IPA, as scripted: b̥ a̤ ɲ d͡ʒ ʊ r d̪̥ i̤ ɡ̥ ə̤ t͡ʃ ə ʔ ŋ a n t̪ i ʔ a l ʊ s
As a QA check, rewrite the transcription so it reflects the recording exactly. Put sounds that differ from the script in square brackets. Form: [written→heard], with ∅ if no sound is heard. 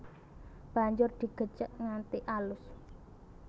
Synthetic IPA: b̥ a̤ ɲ d͡ʒ ʊ r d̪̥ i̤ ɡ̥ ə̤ t͡ʃ ə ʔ ŋ a n t̪ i ʔ a l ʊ s